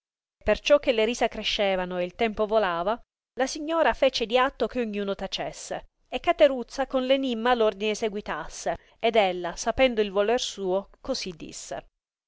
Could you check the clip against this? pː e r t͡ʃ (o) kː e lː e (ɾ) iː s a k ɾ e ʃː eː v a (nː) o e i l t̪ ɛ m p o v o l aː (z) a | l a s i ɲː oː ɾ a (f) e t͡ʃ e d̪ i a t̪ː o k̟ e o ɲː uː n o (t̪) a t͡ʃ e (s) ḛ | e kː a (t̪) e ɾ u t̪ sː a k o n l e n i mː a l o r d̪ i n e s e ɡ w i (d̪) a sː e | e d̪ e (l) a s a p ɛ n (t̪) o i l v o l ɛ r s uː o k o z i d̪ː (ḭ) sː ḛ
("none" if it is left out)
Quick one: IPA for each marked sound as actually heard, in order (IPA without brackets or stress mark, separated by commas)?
ɔ, ɾ, n, v, f, t̪, sː, t̪, t̪, lː, d̪, ḭ